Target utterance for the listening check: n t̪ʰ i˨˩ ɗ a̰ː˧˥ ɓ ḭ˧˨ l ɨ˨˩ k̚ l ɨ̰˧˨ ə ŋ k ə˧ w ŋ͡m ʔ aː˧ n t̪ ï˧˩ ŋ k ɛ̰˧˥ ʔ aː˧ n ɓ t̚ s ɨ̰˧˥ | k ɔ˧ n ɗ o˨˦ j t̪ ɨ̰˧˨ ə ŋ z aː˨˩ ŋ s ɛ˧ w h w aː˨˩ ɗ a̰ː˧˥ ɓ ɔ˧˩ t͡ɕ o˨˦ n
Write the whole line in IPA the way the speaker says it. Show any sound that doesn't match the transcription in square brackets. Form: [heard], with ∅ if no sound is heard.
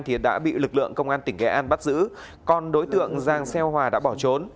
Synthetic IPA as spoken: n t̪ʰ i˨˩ ɗ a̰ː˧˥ ɓ ḭ˧˨ l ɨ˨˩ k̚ l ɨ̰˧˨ ə ŋ k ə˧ w ŋ͡m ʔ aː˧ n t̪ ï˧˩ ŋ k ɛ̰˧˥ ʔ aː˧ n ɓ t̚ [z] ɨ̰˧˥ | k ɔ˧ n ɗ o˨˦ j t̪ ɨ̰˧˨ ə ŋ z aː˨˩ ŋ s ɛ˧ w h w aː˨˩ ɗ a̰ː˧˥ ɓ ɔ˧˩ t͡ɕ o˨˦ n